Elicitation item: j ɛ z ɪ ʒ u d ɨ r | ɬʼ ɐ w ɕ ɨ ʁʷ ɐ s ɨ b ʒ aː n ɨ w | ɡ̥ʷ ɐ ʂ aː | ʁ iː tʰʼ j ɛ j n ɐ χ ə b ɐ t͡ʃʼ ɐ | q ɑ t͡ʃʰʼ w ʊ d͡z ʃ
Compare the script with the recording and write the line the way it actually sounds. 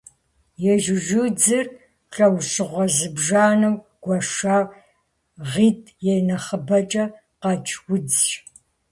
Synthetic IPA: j ɛ ʒ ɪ ʒ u d͡z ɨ r | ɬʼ ɐ w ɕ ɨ ʁʷ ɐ z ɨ b ʒ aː n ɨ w | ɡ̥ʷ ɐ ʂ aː | ʁ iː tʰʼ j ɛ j n ɐ χ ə b ɐ t͡ʃʼ ɐ | q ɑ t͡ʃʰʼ w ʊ d͡z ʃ

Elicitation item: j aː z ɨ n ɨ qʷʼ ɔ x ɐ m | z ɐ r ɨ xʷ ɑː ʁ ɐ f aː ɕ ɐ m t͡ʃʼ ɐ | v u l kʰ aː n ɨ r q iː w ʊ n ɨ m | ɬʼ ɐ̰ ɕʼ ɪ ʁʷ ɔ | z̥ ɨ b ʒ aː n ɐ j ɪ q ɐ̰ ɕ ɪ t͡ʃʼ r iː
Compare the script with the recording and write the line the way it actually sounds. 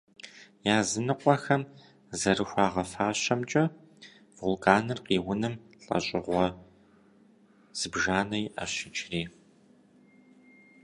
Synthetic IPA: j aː z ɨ n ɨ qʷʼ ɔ x ɐ m | z ɐ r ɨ xʷ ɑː ʁ ɐ f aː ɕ ɐ m t͡ʃʼ ɐ | v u l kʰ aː n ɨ r q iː w ʊ n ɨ m | ɬʼ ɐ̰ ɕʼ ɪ ʁʷ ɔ | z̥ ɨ b ʒ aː n ɐ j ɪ ʔ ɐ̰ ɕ ɪ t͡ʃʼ r iː

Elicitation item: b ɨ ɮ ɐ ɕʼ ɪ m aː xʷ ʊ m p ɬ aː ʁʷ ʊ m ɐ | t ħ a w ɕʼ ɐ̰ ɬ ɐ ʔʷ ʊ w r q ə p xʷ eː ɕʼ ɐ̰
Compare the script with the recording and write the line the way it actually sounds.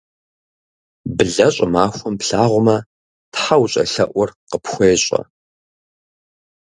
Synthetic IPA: b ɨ ɮ ɐ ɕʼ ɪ m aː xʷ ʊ m p ɬ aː ʁʷ ʊ m ɐ | t ħ a w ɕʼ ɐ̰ ɬ ɐ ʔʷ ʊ r q ə p xʷ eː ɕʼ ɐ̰

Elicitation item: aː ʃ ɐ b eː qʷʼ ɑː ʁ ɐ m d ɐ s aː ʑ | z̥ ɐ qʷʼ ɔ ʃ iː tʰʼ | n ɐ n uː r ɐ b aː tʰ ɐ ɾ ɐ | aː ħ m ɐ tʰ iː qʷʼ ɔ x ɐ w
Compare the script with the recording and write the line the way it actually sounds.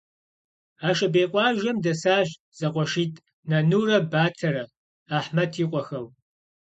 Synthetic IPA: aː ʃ ɐ b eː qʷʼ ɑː ʒ ɐ m d ɐ s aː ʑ | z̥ ɐ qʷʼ ɔ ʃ iː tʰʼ | n ɐ n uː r ɐ b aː tʰ ɐ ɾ ɐ | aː ħ m ɐ tʰ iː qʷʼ ɔ x ɐ w

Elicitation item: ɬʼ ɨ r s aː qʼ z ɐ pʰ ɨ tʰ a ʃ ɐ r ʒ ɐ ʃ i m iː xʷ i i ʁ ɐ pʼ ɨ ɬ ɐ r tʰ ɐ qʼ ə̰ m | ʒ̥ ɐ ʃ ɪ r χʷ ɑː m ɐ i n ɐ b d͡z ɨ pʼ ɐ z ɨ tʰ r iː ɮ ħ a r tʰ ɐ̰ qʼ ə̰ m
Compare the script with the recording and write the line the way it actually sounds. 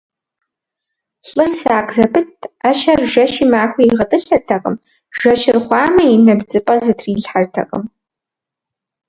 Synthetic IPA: ɬʼ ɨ r s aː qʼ z ɐ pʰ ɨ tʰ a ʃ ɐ r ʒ ɐ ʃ i m aː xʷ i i ʁ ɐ tʼ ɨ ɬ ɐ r tʰ ɐ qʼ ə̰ m | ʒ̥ ɐ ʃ ɪ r χʷ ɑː m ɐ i n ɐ b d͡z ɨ pʼ ɐ z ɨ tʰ r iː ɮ ħ a r tʰ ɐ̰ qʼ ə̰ m

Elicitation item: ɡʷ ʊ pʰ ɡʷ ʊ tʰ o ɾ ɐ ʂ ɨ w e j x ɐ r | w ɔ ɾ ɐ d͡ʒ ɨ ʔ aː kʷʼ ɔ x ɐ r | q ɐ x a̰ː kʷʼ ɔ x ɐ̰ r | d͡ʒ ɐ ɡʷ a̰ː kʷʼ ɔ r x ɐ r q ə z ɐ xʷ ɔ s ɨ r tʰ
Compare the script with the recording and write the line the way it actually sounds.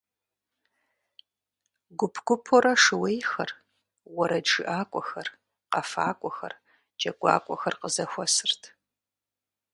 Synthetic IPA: ɡʷ ʊ pʰ ɡʷ ʊ pʰ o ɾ ɐ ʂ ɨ w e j x ɐ r | w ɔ ɾ ɐ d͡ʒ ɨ ʔ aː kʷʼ ɔ x ɐ r | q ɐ f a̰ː kʷʼ ɔ x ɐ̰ r | d͡ʒ ɐ ɡʷ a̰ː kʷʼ ɔ x ɐ r q ə z ɐ xʷ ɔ s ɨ r tʰ

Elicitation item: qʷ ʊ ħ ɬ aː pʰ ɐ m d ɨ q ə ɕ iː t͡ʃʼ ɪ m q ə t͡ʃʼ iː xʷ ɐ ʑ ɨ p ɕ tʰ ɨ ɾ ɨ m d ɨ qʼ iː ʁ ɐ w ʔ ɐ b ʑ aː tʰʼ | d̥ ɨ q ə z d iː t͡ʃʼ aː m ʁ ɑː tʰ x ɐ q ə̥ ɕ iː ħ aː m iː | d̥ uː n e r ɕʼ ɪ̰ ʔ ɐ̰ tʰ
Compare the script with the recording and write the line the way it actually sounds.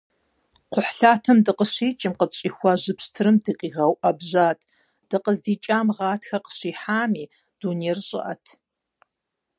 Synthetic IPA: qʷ ʊ ħ ɬ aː tʰ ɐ m d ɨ q ə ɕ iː t͡ʃʼ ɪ m q ə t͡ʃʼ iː xʷ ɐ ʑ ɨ p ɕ tʰ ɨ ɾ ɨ m d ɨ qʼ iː ʁ ɐ w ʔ ɐ b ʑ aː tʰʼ | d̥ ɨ q ə z d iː t͡ʃʼ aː m ʁ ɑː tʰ x ɐ q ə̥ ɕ iː ħ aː m iː | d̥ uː n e r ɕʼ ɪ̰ ʔ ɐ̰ tʰ

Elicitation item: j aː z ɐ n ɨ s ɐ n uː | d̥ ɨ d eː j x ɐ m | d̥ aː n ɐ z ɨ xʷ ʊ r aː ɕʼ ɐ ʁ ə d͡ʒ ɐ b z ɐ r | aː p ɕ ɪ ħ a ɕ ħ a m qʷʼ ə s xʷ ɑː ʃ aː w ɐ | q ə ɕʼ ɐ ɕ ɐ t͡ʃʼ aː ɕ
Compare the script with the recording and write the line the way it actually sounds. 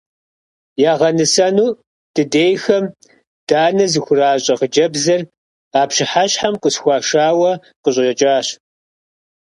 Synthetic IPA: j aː ʁ ɐ n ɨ s ɐ n uː | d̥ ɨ d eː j x ɐ m | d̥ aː n ɐ z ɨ xʷ ʊ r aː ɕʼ ɐ ʁ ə d͡ʒ ɐ b z ɐ r | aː p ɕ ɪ ħ a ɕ ħ a m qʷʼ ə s xʷ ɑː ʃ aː w ɐ | q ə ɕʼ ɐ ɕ ɐ t͡ʃʼ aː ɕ

